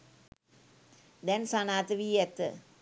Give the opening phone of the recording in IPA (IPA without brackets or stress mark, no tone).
d̪